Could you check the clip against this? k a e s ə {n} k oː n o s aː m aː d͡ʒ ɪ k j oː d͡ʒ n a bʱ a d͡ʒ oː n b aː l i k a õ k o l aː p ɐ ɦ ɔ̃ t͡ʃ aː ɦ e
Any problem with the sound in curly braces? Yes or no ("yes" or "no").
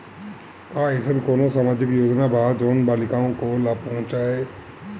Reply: no